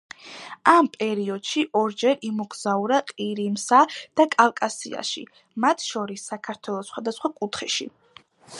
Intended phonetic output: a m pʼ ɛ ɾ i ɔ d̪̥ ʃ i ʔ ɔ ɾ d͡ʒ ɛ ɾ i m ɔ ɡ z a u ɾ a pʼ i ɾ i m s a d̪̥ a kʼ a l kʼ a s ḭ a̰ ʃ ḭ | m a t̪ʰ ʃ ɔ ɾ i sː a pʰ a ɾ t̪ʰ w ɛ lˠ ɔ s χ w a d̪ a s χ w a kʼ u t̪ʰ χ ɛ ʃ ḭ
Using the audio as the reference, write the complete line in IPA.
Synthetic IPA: a m pʼ ɛ ɾ i ɔ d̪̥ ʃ i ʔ ɔ ɾ d͡ʒ ɛ ɾ i m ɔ ɡ z a u ɾ a qʼ i ɾ i m s a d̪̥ a kʼ a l kʼ a s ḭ a̰ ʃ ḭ | m a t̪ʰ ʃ ɔ ɾ i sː a kʰ a ɾ t̪ʰ w ɛ lˠ ɔ s χ w a d̪ a s χ w a kʼ u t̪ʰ χ ɛ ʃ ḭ